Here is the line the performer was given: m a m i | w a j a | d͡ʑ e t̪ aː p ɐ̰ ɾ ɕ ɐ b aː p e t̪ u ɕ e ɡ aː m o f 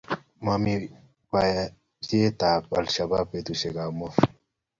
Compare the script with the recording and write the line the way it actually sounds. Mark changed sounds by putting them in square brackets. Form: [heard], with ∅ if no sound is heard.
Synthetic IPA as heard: m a m i | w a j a | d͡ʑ e t̪ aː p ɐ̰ [l] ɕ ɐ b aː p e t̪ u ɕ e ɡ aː m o f